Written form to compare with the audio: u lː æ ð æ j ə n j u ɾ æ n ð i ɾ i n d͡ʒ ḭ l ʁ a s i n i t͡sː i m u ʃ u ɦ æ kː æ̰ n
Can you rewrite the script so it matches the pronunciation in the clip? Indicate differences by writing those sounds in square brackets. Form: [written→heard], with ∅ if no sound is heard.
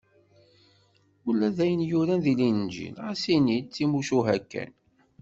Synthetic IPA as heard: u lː æ ð æ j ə n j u ɾ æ n ð i [ɾ→l] i n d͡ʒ ḭ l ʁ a s i n i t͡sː i m u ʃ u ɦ æ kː æ̰ n